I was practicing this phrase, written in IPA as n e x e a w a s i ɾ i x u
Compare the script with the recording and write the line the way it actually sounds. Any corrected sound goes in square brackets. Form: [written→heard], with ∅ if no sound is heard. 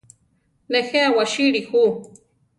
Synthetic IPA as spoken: n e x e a w a [s→ʃ] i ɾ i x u